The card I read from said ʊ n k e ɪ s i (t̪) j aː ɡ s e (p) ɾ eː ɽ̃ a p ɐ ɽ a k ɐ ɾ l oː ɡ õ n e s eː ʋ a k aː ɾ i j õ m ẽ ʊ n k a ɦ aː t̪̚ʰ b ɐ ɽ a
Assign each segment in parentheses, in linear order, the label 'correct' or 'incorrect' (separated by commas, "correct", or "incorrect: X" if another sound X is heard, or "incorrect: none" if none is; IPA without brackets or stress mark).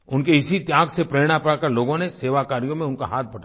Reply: correct, correct